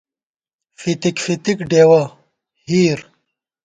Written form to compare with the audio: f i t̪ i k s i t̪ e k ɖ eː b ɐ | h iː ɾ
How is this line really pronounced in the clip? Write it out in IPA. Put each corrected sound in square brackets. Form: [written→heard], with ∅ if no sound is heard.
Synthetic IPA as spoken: f i t̪ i k [s→f] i t̪ [e→i] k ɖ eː [b→w] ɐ | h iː ɾ